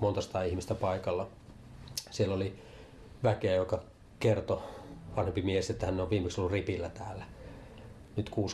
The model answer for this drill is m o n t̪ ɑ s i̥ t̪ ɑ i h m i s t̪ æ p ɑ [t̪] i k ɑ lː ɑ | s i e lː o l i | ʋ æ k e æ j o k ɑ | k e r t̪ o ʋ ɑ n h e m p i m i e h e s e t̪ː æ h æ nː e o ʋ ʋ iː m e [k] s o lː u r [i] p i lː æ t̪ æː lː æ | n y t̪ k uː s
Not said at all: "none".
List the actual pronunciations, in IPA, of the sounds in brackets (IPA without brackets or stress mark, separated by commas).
none, k, i